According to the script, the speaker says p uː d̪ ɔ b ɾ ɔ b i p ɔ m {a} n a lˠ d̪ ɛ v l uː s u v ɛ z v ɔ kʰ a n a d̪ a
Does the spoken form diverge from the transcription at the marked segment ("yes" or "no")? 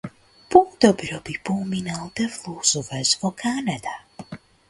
yes